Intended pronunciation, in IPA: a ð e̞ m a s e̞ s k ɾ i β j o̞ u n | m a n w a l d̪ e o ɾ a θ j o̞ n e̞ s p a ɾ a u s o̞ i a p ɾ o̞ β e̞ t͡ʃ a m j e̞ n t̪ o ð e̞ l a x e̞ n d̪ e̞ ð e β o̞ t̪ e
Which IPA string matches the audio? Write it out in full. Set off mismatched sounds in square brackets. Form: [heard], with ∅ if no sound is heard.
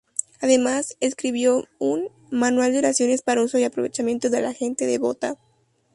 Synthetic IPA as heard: a ð e̞ m a s e̞ s k ɾ i β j o̞ u n | m a n w a l d̪ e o ɾ a [s] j o̞ n e̞ s p a ɾ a u s o̞ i a p ɾ o̞ β e̞ t͡ʃ a m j e̞ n t̪ o ð e̞ l a x e̞ n [t̪] e̞ ð e β o̞ t̪ [a]